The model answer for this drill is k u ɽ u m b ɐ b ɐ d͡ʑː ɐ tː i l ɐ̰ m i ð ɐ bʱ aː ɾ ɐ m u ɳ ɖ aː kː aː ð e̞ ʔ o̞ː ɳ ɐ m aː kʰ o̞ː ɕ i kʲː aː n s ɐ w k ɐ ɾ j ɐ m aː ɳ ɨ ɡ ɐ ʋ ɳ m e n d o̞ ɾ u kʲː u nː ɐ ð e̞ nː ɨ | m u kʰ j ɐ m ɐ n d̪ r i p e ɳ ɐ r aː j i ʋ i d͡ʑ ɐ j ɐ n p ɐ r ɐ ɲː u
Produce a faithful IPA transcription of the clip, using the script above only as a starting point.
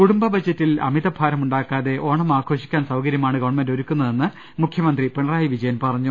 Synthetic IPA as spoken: k u ɽ u m b ɐ b ɐ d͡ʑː ɐ tː i l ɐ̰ m i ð ɐ bʱ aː ɾ ɐ m u ɳ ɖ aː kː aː ð e̞ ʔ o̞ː ɳ ɐ m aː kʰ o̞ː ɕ i kʲː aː n s ɐ w k ɐ ɾ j ɐ m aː ɳ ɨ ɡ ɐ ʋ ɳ m e n d o̞ ɾ u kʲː u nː ɐ ð e̞ nː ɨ | m u kʰ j ɐ m ɐ n d̪ r i p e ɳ ɐ r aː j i ʋ i d͡ʑ ɐ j ɐ n p ɐ r ɐ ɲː u